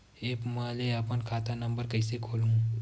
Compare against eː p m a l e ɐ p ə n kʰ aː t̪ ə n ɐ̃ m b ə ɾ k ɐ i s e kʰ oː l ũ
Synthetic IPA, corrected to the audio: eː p m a l e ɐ p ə n kʰ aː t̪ a n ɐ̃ m b ə ɾ k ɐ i s e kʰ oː l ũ